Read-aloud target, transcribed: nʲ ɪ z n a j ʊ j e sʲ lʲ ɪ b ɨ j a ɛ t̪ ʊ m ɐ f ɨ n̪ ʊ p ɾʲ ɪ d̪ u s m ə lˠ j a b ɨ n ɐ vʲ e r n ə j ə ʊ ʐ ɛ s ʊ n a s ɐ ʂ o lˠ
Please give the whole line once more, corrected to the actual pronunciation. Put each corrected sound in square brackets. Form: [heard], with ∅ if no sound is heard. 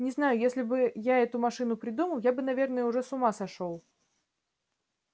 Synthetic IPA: nʲ ɪ z n a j ʊ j e sʲ lʲ ɪ b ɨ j a ɛ t̪ ʊ m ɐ [ʂ] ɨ n̪ ʊ p ɾʲ ɪ d̪ u [∅] m ə lˠ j a b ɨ n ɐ vʲ e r n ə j ə ʊ ʐ ɛ s ʊ [m] a s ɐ ʂ o lˠ